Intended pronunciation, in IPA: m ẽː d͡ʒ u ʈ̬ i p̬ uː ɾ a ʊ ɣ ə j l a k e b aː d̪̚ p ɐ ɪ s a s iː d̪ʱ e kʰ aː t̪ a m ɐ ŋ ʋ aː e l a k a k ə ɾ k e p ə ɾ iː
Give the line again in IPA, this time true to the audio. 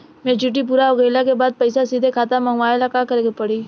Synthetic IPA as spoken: m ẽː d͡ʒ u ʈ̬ i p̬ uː ɾ a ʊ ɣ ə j l a k e b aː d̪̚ p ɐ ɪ s a s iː d̪ʱ e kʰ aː t̪ a m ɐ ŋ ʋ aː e l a k a k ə ɾ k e p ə ɽ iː